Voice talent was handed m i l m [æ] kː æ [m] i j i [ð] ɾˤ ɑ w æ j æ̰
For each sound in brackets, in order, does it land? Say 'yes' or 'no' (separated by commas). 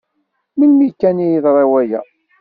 no, no, yes